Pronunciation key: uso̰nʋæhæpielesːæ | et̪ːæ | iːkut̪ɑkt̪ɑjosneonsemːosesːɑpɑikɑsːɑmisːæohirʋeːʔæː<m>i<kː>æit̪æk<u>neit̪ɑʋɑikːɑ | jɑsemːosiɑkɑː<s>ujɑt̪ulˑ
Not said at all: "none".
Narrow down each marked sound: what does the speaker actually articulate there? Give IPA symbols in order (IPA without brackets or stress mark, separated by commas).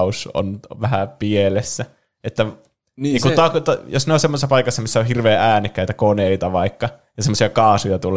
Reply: n, kː, o, s